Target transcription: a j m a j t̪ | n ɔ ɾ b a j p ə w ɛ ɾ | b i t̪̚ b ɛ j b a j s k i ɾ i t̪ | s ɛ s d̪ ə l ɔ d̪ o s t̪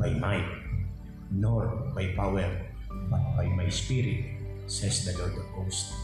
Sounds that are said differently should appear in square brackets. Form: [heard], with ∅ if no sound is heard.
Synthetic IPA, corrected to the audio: a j m a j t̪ | n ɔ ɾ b a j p [a] w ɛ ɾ | b [a] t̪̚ b [a] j [m] a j s [p] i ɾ i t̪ | s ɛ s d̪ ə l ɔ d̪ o s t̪